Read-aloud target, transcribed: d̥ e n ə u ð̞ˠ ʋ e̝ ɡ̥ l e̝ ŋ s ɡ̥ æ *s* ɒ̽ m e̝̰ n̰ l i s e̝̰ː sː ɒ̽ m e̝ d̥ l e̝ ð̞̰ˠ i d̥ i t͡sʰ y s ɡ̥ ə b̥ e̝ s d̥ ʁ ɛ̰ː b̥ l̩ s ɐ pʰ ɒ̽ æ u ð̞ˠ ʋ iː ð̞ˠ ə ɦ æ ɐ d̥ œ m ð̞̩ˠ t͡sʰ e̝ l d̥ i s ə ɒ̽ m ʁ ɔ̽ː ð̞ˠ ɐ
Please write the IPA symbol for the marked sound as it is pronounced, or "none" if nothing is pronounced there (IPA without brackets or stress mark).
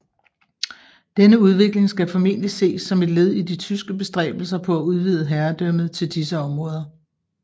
f